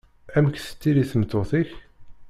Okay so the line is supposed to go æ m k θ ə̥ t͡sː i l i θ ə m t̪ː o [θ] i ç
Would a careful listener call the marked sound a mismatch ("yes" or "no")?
no